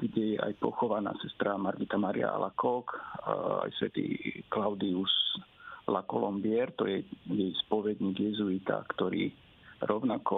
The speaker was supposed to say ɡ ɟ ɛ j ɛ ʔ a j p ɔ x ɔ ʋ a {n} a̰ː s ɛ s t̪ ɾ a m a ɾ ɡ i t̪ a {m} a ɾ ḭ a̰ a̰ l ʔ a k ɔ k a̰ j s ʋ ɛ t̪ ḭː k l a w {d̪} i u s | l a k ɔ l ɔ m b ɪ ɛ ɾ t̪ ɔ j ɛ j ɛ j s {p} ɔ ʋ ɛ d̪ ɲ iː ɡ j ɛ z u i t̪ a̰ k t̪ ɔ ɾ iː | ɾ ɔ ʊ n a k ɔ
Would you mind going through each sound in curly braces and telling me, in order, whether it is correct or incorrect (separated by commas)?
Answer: correct, correct, correct, correct